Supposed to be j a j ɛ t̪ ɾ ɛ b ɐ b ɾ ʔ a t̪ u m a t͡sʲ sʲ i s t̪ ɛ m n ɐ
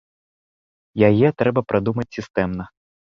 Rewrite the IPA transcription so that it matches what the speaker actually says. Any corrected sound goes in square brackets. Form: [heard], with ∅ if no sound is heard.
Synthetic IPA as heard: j a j ɛ t̪ ɾ ɛ b ɐ [p] ɾ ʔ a [d̪] u m [ɐ] t͡sʲ sʲ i s t̪ ɛ m n ɐ